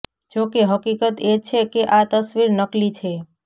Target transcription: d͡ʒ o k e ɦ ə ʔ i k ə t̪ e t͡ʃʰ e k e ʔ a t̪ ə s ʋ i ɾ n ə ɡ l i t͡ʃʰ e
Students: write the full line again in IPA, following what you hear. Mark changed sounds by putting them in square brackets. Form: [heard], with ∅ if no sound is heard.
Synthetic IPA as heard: d͡ʒ o k e ɦ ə [k] i k ə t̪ e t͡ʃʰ e k e ʔ a t̪ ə s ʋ i ɾ n ə [k] l i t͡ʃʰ e